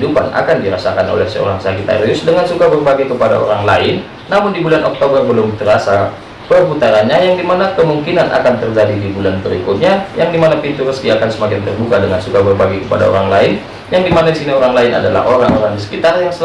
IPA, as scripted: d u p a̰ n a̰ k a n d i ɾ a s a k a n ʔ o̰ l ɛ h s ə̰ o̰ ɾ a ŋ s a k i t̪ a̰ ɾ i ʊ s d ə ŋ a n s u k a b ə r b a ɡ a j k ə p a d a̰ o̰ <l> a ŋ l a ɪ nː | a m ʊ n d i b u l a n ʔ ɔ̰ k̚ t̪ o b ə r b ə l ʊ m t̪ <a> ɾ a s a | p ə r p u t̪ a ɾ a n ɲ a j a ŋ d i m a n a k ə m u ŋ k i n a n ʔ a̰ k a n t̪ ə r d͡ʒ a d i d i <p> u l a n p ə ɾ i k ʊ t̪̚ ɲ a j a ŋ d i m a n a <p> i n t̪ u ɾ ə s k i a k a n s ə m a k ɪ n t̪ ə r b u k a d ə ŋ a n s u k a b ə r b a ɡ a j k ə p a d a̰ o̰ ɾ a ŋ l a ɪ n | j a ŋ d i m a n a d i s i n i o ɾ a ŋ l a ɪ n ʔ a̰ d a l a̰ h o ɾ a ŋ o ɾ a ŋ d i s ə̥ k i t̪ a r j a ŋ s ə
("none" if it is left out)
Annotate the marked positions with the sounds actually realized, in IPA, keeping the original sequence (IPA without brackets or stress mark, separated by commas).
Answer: ɾ, ə, b, p